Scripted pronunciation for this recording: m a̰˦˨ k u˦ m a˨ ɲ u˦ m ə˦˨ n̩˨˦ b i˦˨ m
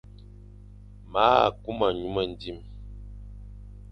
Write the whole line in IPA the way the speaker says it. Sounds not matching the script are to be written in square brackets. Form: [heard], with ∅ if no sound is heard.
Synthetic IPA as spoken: m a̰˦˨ k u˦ m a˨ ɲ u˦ m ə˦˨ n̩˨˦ [d] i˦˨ m